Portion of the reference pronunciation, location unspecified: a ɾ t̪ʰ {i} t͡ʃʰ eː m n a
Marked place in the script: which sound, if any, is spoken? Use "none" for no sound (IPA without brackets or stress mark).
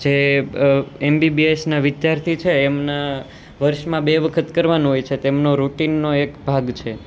i